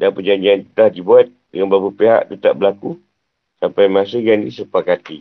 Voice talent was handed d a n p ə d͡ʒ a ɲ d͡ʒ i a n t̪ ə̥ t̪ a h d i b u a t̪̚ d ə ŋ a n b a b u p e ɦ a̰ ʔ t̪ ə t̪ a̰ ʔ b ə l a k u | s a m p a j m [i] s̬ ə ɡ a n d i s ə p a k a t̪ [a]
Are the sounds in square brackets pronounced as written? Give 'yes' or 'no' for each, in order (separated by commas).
no, no